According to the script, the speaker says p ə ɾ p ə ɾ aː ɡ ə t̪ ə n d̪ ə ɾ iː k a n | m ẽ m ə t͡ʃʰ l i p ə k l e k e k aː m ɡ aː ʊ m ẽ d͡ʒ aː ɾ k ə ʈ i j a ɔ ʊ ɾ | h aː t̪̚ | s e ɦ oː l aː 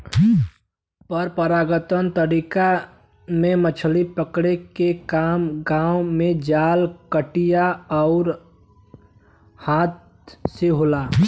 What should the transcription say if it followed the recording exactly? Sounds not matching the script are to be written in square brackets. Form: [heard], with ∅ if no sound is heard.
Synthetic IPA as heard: p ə ɾ p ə ɾ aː ɡ ə t̪ ə n [t̪] ə ɾ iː k a [∅] | m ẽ m ə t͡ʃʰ l i p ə k [ɽ] e k e k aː m ɡ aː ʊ m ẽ d͡ʒ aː [l] k ə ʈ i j a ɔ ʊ ɾ | h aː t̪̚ | s e ɦ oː l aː

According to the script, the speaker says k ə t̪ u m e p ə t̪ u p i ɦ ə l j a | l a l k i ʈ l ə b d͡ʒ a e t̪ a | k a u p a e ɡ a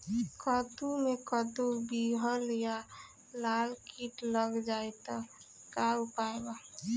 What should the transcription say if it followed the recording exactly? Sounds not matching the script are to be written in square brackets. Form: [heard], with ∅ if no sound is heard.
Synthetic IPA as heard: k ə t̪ u m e [k] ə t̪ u [b] i ɦ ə l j a | l a l k i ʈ l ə [ɡ] d͡ʒ a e t̪ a | k a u p a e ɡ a

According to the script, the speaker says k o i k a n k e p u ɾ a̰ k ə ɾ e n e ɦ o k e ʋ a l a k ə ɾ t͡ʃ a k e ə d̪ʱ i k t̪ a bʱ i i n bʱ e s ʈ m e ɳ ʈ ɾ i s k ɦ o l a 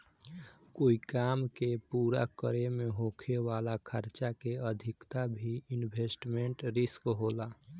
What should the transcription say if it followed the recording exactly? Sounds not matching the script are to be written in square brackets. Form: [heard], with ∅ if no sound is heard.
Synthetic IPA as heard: k o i k a [m] k e p u ɾ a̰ k ə ɾ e [m] e ɦ o [kʰ] e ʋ a l a [kʰ] ə ɾ t͡ʃ a k e ə d̪ʱ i k t̪ a bʱ i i n bʱ e s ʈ m e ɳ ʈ ɾ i s k ɦ o l a

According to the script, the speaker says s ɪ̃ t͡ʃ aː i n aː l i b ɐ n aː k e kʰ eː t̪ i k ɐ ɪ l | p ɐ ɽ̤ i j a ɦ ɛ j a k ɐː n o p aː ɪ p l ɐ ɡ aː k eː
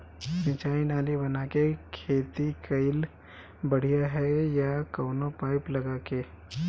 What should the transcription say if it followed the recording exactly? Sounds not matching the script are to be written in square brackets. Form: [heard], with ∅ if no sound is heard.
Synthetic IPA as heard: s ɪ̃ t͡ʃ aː i n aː l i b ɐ n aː k e kʰ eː t̪ i k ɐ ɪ l | [b] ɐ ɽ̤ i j a ɦ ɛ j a k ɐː n o p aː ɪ p l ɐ ɡ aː k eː

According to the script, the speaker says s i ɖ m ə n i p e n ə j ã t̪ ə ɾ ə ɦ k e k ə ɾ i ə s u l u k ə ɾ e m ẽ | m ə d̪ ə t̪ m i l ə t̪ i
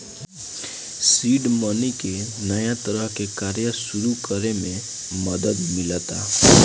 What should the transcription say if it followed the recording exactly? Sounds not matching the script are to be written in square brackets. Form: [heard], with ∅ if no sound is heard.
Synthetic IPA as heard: s i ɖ m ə n i [k] e n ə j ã t̪ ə ɾ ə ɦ k e k [a] ɾ [j] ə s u [ɾ] u k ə ɾ e m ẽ | m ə d̪ ə [d̪] m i l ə t̪ [a]

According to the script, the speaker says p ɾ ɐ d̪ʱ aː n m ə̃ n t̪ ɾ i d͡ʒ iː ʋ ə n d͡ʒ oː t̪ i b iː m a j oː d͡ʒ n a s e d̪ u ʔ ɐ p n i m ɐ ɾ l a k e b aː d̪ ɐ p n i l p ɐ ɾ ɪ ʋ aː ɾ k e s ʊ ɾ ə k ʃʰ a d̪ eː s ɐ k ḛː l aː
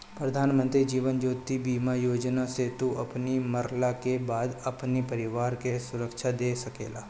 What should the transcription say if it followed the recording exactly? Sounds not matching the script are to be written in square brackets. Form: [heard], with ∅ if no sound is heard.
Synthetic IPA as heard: p ɾ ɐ d̪ʱ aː n m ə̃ n t̪ ɾ i d͡ʒ iː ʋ ə n d͡ʒ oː t̪ i b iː m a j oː d͡ʒ n a s e [t̪] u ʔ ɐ p n i m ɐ ɾ l a k e b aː d̪ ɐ p n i [∅] p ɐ ɾ ɪ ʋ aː ɾ k e s ʊ ɾ ə k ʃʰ a d̪ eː s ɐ k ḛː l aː

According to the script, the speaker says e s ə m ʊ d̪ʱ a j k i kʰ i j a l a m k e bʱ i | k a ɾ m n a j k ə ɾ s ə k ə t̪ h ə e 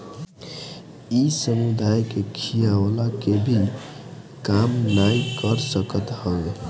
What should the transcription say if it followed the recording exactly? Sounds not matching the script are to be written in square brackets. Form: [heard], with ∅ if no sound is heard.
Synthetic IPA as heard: [i] s ə m [u] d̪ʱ a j k [e] kʰ i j a l a [∅] k e bʱ i | k a [∅] m n a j k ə ɾ s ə k ə t̪ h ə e

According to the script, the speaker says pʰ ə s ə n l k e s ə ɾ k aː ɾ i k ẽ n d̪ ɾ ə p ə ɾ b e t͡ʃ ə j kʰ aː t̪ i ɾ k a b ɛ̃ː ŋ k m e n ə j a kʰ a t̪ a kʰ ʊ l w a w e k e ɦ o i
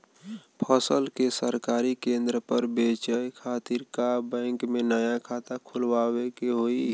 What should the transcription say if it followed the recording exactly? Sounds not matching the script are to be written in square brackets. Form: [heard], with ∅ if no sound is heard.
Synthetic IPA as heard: pʰ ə s ə [∅] l k e s ə ɾ k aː ɾ i k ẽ n d̪ ɾ ə p ə ɾ b e t͡ʃ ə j kʰ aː t̪ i ɾ k a b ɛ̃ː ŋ k m e n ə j a kʰ a t̪ a kʰ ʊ l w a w e k e ɦ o i

